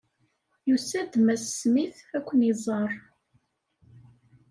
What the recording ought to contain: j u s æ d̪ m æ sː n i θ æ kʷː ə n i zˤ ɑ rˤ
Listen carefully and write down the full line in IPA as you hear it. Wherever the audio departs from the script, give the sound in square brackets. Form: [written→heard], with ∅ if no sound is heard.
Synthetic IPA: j u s æ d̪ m æ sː [n→m] i θ æ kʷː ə n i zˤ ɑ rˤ